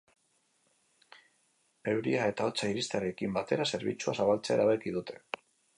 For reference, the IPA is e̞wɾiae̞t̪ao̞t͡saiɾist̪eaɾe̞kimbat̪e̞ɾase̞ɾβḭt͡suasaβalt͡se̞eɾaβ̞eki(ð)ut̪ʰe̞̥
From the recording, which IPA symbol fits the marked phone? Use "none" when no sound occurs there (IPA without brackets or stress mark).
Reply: ð